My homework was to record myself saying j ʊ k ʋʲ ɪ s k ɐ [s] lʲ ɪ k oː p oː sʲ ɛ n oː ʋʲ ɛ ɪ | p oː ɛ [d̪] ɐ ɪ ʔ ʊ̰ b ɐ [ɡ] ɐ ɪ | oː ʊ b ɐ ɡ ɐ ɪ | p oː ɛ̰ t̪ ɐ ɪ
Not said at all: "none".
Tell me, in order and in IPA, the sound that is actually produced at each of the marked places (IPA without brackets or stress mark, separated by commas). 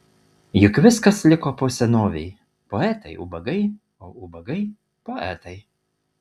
s, t̪, ɡ